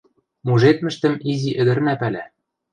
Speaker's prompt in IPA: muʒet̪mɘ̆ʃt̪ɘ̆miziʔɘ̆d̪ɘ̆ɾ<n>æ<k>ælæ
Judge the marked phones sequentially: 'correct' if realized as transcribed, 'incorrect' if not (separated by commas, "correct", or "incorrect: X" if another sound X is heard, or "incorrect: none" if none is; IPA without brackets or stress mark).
correct, incorrect: p